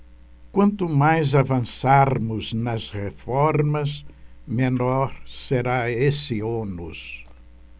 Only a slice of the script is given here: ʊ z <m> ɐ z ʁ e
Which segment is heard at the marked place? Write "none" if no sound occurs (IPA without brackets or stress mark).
n